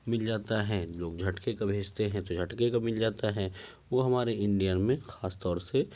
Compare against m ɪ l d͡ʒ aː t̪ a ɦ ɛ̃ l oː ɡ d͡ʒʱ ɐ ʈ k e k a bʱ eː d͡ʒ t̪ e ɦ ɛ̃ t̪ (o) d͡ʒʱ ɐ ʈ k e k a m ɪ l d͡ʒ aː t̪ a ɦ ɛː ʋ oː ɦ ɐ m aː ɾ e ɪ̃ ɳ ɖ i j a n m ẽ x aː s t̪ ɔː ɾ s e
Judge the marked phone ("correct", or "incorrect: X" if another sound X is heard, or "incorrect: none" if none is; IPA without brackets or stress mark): correct